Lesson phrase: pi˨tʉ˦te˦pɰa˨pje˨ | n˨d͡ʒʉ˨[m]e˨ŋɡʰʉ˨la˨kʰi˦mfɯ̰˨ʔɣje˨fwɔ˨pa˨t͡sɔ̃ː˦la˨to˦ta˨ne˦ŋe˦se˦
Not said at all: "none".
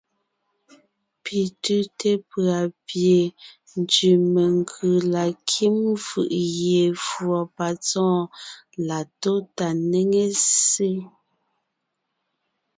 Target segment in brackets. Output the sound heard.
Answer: m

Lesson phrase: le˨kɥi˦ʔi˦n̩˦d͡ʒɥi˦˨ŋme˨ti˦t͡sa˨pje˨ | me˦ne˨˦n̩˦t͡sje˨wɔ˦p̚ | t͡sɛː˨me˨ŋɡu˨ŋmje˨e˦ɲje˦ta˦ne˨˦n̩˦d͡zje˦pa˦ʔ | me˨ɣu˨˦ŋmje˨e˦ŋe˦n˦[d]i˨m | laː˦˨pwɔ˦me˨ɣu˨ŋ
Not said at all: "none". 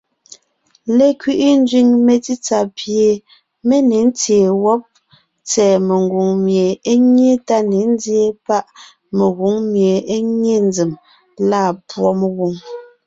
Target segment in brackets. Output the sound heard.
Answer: d͡z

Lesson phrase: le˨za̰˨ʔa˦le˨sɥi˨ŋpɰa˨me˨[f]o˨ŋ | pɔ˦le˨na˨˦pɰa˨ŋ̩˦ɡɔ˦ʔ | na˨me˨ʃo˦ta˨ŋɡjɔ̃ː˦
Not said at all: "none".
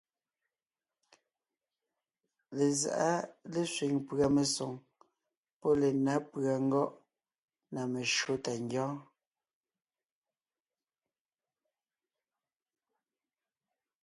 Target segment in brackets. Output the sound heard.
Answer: s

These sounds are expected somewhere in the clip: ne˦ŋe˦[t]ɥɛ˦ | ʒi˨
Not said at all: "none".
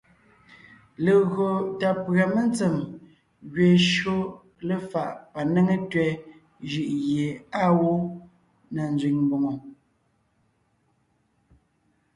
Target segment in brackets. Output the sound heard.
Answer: t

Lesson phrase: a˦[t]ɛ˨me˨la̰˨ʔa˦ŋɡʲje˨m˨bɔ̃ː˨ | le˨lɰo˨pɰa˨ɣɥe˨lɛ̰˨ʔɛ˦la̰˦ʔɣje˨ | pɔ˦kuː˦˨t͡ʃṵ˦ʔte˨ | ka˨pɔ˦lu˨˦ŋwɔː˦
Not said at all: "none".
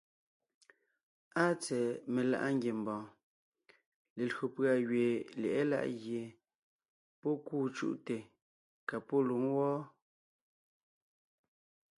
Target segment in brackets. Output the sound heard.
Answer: t͡s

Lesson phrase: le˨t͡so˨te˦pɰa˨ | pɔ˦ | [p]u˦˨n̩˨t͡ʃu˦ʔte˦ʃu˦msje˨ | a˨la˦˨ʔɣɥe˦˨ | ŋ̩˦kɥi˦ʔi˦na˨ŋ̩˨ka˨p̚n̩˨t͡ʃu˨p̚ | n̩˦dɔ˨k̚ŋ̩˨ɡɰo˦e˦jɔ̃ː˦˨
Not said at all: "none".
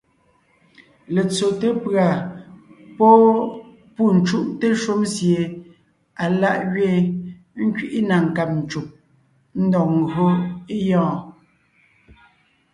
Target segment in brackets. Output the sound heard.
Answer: p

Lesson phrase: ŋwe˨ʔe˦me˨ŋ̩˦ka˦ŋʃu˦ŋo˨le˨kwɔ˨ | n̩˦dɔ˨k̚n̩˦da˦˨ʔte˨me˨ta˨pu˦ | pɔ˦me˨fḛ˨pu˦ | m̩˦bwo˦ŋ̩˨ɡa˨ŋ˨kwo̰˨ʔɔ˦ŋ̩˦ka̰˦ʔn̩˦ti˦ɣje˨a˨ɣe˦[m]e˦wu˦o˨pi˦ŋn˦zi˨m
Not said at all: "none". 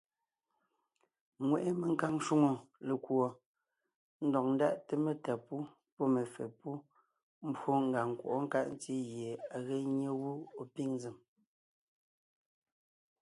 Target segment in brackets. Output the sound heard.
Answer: ɲ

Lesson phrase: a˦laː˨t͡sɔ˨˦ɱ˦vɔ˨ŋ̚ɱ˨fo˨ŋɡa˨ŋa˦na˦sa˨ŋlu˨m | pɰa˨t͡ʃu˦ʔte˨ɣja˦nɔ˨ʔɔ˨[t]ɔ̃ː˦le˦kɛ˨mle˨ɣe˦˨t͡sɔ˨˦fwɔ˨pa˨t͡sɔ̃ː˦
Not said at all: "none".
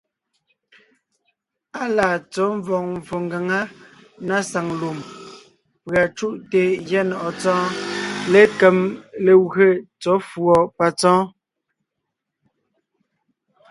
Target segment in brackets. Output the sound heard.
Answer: t͡s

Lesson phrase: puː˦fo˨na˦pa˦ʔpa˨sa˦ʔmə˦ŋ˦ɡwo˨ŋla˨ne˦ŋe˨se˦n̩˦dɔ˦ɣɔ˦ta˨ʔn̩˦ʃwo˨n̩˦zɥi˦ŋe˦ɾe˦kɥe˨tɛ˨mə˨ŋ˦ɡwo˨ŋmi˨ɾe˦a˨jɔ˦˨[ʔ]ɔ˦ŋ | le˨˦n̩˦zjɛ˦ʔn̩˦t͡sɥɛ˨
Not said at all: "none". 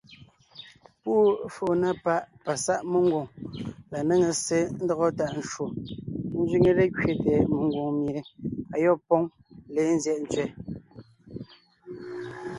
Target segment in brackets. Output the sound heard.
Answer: p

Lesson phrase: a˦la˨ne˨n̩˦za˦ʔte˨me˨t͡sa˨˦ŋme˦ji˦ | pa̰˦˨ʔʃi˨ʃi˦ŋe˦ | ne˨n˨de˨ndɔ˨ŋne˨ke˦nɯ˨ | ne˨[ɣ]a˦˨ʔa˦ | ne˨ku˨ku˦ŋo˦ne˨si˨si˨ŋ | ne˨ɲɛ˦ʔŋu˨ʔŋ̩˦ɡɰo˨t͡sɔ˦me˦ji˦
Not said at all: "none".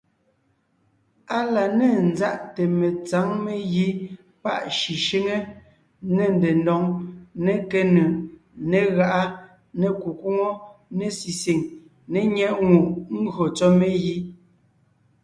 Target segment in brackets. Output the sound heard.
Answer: ɣ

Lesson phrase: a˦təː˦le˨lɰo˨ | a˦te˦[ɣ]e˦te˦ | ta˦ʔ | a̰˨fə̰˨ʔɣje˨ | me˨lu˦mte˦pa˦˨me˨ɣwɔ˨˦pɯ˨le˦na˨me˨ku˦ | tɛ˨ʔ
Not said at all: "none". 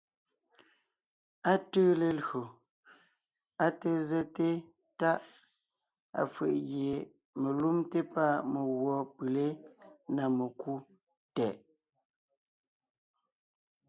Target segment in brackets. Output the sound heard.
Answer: z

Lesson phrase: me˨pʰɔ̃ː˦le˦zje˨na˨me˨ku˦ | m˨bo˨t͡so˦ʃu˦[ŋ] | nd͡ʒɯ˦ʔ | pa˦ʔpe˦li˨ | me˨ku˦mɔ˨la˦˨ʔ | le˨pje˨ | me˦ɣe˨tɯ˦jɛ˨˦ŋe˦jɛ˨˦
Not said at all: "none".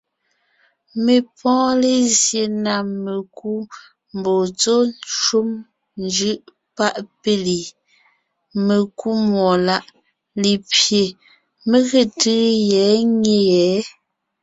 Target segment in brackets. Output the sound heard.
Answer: m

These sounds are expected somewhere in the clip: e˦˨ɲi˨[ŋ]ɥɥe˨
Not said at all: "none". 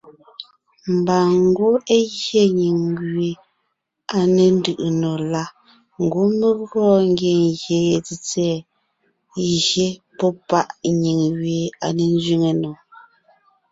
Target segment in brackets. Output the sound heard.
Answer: ŋ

